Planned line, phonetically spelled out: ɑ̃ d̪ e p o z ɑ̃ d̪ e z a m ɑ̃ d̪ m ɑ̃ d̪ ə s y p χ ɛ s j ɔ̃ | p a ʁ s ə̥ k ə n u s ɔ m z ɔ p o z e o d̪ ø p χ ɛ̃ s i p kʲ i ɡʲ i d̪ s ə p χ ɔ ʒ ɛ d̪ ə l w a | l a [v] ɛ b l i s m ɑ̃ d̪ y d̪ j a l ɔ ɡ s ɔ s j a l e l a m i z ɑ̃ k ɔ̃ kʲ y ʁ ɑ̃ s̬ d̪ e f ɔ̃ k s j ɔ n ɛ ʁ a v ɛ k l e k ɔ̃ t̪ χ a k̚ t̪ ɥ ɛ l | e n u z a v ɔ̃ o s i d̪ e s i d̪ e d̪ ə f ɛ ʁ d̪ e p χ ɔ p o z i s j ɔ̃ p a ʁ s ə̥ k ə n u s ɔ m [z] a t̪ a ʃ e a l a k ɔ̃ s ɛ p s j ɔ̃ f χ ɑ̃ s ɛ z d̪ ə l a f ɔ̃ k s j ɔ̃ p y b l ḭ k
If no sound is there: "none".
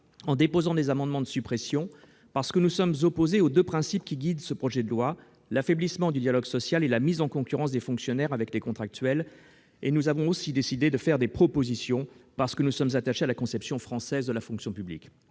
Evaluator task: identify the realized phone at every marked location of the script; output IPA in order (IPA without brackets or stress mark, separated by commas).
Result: f, z